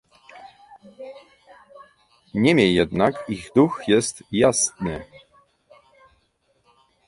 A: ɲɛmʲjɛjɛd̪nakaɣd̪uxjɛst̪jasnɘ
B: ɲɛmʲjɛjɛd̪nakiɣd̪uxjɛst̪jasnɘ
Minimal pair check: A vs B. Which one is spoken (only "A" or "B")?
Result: B